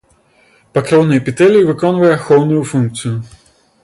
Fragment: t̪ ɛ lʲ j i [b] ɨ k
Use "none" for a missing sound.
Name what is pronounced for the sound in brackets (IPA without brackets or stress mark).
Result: v